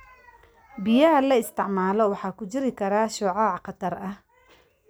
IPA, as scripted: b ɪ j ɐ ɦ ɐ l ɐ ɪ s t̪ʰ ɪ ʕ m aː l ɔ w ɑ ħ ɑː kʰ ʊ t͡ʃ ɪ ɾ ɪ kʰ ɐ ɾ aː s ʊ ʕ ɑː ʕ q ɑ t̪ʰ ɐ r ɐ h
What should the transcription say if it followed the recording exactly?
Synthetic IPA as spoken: b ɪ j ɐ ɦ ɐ l ɐ ɪ s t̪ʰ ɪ ʕ m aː l ɔ w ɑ ħ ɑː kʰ ʊ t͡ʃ ɪ ɾ ɪ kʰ ɐ ɾ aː ʃ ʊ ʕ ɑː ʕ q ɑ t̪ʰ ɐ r ɐ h